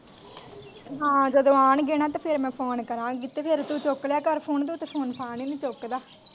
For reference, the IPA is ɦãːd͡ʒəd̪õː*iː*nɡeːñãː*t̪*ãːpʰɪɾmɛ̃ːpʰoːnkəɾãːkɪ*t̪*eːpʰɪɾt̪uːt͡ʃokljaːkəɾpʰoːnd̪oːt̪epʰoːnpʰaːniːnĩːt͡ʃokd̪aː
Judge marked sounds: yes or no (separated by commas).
no, yes, yes